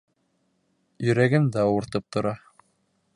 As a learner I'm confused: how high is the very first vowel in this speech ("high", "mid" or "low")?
mid